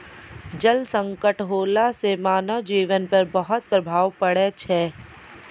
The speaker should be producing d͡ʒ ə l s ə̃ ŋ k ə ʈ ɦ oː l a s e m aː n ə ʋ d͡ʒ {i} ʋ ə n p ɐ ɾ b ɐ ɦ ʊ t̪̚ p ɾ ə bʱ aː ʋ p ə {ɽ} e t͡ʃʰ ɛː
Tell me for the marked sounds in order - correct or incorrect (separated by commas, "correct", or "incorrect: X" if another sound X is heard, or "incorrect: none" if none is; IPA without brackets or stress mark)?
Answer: incorrect: iː, correct